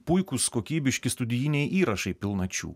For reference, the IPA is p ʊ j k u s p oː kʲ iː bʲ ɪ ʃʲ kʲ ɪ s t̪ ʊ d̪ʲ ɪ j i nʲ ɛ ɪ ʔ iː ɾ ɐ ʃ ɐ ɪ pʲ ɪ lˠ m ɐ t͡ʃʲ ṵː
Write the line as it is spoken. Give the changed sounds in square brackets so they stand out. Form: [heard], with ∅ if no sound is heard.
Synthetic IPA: p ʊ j k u s [k] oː kʲ iː bʲ ɪ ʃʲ kʲ ɪ s t̪ ʊ d̪ʲ ɪ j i nʲ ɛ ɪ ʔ iː ɾ ɐ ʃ ɐ ɪ pʲ ɪ lˠ [n] ɐ t͡ʃʲ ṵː